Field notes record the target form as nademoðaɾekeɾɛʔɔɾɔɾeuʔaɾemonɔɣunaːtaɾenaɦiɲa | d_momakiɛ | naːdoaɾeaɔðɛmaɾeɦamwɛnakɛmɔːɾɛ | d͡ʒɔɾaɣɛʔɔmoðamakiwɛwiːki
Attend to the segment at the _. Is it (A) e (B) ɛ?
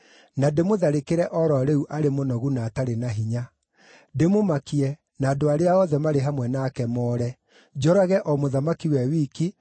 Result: A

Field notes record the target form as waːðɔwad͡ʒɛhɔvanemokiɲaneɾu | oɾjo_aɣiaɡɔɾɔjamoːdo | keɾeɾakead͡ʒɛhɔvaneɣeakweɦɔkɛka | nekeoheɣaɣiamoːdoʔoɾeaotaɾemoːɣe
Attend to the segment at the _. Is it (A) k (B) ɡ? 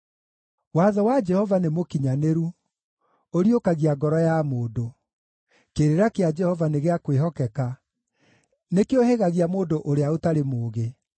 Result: A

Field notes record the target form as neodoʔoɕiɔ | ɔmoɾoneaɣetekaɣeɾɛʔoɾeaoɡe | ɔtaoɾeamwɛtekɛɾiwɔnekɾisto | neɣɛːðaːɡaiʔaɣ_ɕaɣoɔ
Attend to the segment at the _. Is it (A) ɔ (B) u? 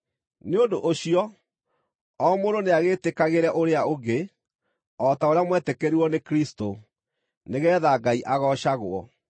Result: A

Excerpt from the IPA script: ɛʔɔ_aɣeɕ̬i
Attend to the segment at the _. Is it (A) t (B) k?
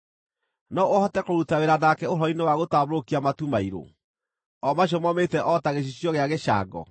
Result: A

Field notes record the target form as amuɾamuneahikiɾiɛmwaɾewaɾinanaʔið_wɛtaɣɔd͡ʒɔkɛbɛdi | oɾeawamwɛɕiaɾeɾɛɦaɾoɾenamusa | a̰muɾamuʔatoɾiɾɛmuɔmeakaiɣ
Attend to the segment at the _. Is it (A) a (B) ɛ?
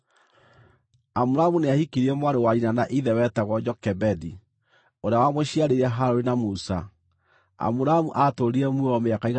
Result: B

